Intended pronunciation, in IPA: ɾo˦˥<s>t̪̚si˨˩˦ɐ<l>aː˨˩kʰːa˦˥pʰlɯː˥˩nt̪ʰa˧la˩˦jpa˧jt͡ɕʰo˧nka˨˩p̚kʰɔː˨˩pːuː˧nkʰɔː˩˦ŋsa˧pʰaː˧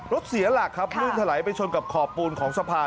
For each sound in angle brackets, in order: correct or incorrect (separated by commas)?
incorrect, correct